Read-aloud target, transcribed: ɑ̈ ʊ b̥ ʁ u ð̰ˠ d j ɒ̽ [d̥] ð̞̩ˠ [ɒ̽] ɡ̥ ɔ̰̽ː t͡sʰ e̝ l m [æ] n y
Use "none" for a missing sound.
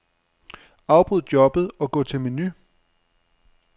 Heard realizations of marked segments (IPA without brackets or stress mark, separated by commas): b̥, ɒ̽, e